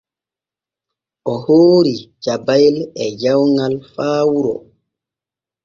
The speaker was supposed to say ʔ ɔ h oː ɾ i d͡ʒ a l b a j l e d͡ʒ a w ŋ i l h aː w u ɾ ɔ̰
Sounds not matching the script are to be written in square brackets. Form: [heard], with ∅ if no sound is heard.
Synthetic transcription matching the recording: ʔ ɔ h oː ɾ i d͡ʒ a [∅] b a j l [ɛ] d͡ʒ a w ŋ [a] l [f] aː w u ɾ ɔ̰